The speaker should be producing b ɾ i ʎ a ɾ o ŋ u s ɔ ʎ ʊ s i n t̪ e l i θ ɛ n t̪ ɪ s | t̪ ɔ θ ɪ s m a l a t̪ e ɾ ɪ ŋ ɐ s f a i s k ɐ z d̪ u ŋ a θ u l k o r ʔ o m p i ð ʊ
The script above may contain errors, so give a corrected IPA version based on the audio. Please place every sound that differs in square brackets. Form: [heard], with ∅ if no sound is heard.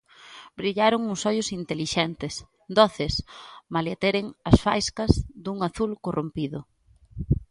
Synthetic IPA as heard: b ɾ i ʎ a ɾ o ŋ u s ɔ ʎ ʊ s i n t̪ e l i [ʃ] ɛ n t̪ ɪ s | [d̪] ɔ θ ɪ s m a l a t̪ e ɾ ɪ ŋ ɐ s f a [j] s k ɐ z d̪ u ŋ a θ u l k o r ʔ o m p i ð ʊ